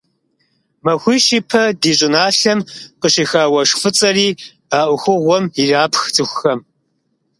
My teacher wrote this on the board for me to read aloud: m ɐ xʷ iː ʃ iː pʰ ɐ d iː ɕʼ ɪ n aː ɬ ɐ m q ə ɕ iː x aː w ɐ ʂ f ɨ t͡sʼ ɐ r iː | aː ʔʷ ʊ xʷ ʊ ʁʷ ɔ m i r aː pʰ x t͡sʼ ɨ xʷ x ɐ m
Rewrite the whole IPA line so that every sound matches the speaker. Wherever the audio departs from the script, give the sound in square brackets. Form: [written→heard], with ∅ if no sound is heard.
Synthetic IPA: m ɐ xʷ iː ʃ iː pʰ ɐ d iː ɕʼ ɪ n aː ɬ ɐ m q ə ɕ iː x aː w ɐ ʂ f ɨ t͡sʼ ɐ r iː | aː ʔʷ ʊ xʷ ʊ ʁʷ ɔ m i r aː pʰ x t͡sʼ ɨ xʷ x ɐ m

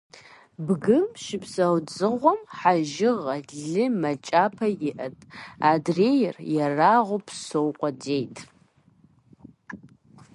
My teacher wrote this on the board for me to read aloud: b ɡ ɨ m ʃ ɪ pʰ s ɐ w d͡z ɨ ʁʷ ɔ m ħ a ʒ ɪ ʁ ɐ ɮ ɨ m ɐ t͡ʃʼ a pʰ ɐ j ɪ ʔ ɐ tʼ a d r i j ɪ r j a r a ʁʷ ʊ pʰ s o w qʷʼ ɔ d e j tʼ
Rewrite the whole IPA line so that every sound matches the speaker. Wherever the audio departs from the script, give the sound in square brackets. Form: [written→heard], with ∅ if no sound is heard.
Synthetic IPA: b ɡ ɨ m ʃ ɪ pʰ s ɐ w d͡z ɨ ʁʷ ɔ m ħ a ʒ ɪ ʁ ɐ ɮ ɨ m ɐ t͡ʃʼ a pʰ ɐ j ɪ ʔ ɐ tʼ a d r [i→e] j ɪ r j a r a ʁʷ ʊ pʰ s o w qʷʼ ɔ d e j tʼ

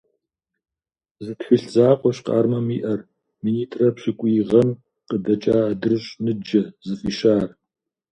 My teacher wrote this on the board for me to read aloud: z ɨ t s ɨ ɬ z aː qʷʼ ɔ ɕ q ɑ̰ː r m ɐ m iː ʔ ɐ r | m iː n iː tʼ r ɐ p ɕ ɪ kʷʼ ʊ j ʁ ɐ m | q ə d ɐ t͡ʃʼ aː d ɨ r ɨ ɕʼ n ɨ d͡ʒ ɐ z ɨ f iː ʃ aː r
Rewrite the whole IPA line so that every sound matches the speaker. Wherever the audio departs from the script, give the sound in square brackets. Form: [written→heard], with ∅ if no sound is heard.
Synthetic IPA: z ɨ t [s→x] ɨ ɬ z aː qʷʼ ɔ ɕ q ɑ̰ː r m ɐ m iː ʔ ɐ r | m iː n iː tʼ r ɐ p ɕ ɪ kʷʼ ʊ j ʁ ɐ m | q ə d ɐ t͡ʃʼ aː d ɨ r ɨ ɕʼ n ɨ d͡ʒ ɐ z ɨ f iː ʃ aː r

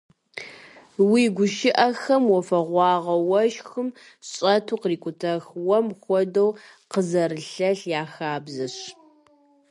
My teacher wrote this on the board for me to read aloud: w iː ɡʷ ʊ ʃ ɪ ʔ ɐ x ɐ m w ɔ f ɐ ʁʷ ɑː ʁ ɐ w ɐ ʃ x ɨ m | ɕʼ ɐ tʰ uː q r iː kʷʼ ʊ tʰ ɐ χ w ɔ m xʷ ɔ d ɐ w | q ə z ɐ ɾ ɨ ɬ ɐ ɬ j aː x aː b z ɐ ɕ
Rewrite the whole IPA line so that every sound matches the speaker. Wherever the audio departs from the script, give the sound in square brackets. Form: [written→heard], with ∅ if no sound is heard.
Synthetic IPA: w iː ɡʷ ʊ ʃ ɪ ʔ ɐ x ɐ m w ɔ f ɐ ʁʷ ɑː ʁ ɐ w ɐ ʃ x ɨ m | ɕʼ ɐ tʰ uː q r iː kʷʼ ʊ tʰ ɐ [χ→x] w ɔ m xʷ ɔ d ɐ w | q ə z ɐ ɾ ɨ ɬ ɐ ɬ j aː x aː b z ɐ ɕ

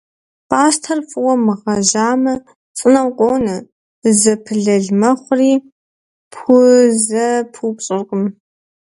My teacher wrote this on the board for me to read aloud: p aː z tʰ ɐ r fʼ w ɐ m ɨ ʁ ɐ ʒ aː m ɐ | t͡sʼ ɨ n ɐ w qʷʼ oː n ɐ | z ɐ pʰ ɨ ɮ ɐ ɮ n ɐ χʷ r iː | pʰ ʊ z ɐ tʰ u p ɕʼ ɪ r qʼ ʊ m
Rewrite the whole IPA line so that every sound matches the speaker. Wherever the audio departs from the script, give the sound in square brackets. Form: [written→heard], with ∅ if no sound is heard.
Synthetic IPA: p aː [z→s] tʰ ɐ r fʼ w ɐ m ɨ ʁ ɐ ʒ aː m ɐ | t͡sʼ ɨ n ɐ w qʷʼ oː n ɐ | z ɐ pʰ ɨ ɮ ɐ ɮ [n→m] ɐ χʷ r iː | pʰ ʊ z ɐ [tʰ→pʰ] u p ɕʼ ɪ r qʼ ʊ m

